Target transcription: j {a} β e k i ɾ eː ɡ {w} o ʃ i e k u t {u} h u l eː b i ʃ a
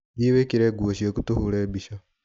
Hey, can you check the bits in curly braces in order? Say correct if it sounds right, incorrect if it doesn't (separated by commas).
incorrect, incorrect, correct